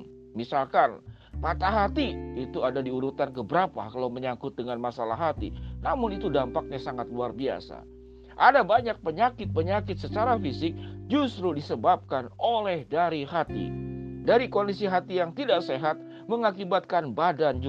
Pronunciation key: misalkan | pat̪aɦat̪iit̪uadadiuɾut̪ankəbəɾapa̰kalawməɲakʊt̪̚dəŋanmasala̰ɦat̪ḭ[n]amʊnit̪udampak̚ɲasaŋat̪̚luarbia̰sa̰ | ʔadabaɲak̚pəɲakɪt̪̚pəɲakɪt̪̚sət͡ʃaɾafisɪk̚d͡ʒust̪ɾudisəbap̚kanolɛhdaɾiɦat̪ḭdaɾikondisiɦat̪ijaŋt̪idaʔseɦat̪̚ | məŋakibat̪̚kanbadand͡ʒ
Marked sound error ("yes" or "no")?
no